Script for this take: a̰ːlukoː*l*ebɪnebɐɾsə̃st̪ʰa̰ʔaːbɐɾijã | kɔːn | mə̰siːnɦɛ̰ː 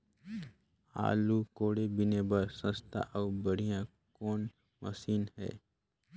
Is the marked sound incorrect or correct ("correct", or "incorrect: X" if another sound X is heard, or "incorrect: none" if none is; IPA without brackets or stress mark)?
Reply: incorrect: ɽ